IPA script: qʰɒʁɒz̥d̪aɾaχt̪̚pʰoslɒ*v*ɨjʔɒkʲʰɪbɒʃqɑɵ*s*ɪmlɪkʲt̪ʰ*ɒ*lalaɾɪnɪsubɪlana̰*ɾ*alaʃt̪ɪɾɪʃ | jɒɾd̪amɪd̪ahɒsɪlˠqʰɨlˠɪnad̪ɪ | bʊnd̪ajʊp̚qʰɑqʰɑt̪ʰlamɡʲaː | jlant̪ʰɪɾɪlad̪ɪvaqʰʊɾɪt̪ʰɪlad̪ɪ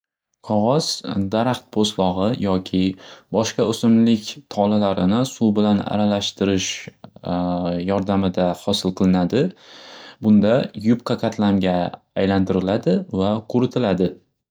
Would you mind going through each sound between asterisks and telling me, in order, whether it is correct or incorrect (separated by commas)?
incorrect, correct, correct, correct